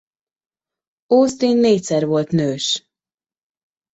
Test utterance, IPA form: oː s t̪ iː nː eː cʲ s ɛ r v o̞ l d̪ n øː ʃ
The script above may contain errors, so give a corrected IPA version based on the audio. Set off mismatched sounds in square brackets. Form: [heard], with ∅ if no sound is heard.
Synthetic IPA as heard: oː s t̪ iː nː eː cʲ s ɛ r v o̞ l [t̪] n øː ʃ